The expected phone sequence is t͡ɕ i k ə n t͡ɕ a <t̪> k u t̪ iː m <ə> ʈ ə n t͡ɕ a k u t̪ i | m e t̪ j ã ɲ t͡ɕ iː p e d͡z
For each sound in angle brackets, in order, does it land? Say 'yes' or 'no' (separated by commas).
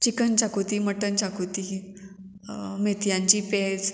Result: no, yes